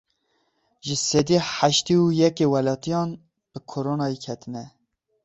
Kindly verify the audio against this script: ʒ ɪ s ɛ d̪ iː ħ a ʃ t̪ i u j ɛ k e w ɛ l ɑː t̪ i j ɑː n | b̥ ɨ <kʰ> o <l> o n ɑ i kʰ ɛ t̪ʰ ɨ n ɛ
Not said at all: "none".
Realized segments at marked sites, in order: kʰ, ɾ

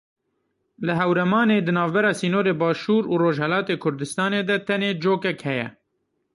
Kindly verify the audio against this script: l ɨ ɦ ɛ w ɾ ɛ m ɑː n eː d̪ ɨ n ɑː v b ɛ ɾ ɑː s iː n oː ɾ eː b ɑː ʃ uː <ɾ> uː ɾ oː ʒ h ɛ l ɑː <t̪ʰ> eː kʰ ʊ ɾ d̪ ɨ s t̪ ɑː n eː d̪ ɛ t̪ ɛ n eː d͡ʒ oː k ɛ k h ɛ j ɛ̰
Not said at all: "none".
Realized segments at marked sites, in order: ɾ, t̪

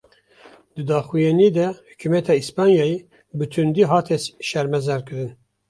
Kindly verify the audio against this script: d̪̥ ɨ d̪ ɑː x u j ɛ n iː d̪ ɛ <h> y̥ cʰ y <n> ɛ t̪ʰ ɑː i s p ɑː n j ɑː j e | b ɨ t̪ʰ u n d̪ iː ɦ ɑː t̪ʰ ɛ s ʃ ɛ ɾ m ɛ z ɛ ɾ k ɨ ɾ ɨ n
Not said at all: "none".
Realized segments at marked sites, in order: h, m

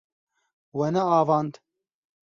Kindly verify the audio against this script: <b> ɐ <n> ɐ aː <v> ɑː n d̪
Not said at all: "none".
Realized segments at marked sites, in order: w, n, v

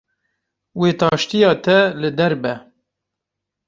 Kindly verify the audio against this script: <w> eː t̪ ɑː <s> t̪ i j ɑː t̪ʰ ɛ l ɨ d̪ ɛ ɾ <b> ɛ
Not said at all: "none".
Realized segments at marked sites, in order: w, ʃ, b

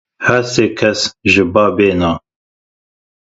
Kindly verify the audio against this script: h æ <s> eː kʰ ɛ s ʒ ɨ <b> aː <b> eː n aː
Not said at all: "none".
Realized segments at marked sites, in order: s, b, b

